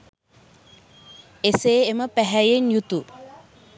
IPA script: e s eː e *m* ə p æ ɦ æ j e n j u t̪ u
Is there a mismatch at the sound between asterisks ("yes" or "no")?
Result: no